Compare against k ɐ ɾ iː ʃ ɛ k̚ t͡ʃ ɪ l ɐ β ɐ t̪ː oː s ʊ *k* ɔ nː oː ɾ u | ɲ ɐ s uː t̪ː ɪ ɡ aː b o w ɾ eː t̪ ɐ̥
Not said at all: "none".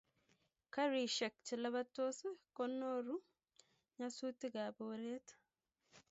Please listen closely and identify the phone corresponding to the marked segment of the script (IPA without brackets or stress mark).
k